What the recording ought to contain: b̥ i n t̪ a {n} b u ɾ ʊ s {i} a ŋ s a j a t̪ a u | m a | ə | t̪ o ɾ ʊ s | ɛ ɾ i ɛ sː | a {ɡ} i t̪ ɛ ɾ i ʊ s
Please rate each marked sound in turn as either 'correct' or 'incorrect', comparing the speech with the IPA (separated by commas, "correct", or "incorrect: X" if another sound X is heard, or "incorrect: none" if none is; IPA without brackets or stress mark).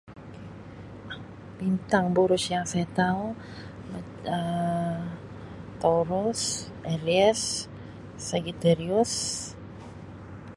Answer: incorrect: ŋ, incorrect: j, correct